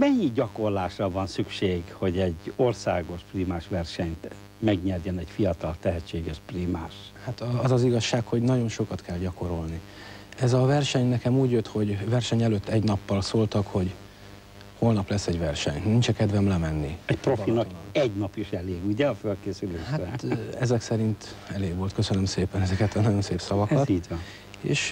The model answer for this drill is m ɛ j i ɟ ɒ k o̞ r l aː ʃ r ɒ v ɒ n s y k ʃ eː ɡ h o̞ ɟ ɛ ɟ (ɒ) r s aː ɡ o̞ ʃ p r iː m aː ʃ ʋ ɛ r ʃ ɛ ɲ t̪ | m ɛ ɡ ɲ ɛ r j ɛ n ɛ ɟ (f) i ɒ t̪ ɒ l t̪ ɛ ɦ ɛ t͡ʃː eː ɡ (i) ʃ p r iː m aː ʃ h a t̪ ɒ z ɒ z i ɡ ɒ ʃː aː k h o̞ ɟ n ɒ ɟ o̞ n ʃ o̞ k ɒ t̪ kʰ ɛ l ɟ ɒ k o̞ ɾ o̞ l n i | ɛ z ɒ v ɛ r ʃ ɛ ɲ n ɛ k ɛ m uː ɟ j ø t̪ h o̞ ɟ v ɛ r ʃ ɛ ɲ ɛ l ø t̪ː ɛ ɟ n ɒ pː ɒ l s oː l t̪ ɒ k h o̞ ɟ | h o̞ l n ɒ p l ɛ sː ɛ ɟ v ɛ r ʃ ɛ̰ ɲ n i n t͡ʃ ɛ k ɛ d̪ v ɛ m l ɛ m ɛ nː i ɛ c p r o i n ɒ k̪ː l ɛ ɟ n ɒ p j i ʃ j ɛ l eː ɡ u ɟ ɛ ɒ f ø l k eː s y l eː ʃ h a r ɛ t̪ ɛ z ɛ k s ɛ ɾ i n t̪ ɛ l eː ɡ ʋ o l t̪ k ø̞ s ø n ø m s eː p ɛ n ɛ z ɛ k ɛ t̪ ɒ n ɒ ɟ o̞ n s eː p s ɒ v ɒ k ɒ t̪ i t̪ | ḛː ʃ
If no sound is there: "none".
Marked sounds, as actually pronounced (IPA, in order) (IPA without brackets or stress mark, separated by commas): o, f, ɛ